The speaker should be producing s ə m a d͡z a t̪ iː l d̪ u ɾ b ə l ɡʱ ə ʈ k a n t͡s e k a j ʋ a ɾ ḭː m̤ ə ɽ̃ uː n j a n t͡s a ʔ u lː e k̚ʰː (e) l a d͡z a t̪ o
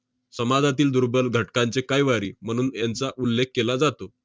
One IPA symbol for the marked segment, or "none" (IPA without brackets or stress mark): e